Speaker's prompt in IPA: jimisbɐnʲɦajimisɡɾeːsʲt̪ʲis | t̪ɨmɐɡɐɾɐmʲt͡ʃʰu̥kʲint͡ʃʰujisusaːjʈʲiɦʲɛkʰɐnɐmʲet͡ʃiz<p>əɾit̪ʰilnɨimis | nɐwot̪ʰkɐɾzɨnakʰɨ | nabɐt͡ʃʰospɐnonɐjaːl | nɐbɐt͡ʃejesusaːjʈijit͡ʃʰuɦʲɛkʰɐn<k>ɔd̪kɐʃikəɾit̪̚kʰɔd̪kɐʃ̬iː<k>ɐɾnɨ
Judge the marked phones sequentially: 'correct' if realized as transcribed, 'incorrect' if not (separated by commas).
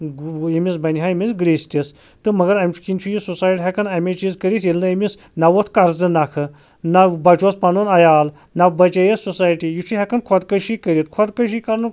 incorrect, incorrect, correct